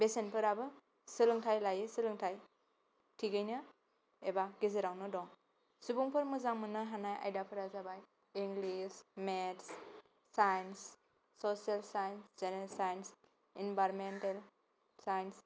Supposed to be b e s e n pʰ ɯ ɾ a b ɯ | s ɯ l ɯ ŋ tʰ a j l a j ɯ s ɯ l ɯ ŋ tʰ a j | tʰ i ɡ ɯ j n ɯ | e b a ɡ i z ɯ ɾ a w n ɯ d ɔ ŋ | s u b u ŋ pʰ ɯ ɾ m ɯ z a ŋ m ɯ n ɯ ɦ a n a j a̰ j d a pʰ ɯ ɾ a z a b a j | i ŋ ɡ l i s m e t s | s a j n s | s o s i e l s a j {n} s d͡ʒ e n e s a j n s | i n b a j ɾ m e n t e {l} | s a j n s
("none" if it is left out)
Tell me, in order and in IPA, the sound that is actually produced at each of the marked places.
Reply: n, l

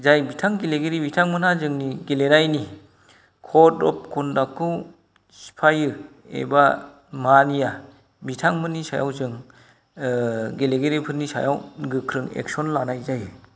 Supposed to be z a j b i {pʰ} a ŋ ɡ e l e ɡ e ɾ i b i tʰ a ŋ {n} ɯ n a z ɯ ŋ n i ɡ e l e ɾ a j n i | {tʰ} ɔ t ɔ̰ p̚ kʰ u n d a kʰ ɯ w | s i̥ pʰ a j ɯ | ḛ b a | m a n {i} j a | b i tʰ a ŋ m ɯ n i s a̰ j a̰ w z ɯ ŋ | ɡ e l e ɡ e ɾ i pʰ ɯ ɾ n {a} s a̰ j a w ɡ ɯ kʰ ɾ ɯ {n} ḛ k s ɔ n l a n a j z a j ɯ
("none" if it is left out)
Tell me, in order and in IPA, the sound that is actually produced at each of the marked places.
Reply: tʰ, m, kʰ, i, i, ŋ

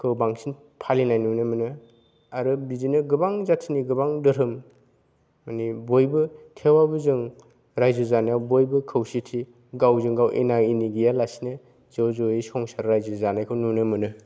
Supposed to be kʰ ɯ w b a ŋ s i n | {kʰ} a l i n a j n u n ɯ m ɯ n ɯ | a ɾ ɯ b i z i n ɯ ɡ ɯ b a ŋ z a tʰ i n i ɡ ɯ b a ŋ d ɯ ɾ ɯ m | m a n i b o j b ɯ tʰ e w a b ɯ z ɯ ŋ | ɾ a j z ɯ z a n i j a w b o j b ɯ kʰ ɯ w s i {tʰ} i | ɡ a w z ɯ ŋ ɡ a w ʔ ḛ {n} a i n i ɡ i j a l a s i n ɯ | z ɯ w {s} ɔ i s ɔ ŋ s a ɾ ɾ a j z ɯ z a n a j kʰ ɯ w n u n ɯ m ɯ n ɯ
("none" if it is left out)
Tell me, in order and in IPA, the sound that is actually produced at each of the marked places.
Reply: pʰ, tʰ, n, z

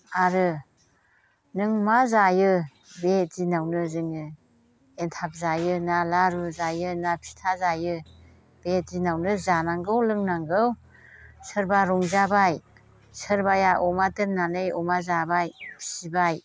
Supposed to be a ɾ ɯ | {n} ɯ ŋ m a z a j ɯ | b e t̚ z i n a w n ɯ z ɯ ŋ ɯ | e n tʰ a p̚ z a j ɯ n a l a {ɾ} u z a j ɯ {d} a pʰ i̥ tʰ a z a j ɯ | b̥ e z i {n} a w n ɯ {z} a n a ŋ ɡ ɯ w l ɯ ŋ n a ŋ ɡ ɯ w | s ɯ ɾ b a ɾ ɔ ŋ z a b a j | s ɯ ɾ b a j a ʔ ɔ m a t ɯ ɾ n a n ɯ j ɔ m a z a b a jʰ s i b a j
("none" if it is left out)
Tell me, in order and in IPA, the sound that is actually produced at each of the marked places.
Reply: n, ɾ, n, n, z

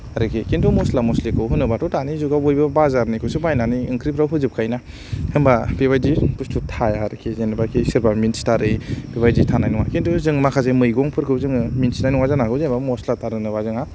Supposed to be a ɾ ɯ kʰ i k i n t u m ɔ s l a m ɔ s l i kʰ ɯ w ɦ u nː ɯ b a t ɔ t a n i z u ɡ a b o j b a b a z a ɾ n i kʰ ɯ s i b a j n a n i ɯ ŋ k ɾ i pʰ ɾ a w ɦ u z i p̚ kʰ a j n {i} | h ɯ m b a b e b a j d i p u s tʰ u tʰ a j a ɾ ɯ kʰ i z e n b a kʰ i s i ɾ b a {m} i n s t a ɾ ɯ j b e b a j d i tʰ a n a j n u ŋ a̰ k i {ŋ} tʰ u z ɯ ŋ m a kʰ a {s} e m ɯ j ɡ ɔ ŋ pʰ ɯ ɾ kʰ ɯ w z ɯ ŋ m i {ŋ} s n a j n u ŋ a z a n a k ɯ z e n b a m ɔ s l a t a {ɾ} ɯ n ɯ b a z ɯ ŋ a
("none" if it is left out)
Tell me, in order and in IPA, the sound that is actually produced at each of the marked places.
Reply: a, m, n, z, n, ɾ

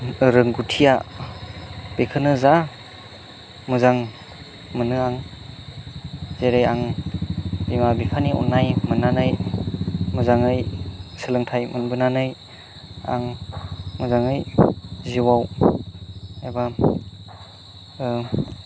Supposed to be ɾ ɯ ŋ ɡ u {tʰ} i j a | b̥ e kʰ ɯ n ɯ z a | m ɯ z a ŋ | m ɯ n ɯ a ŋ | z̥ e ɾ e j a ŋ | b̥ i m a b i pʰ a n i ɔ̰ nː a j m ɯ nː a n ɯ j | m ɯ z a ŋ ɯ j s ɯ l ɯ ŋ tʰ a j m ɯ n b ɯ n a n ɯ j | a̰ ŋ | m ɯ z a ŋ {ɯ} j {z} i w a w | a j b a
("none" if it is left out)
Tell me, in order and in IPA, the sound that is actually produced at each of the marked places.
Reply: tʰ, ɯ, z

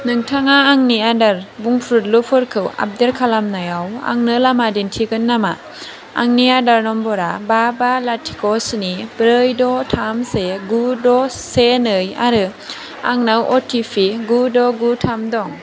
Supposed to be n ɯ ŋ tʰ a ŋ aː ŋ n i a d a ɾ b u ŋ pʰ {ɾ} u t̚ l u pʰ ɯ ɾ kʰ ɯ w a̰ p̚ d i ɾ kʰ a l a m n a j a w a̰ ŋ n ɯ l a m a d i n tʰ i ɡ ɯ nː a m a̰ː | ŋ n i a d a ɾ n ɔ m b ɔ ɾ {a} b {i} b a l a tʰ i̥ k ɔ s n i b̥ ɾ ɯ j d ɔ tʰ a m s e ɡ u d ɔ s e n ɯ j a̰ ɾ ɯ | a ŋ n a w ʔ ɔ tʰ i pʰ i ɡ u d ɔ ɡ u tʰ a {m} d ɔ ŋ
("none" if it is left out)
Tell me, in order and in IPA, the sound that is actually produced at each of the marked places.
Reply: ɾ, a, a, m

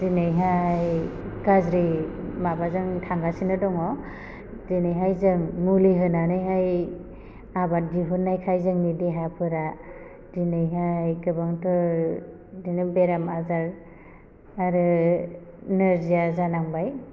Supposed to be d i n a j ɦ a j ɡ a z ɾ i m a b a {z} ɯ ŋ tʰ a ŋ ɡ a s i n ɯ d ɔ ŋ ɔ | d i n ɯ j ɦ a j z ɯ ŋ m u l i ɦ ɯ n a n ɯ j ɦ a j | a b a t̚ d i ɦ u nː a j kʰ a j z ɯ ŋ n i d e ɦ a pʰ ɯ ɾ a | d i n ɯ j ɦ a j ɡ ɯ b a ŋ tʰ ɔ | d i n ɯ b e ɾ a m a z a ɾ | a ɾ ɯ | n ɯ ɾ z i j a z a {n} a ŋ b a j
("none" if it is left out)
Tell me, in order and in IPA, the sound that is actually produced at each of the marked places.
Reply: z, n

